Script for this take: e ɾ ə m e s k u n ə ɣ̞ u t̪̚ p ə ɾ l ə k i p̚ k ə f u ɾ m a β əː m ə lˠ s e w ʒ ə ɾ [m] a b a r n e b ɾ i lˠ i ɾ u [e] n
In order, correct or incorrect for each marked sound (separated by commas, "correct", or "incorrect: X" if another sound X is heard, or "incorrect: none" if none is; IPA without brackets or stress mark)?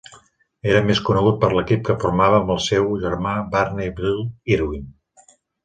correct, incorrect: i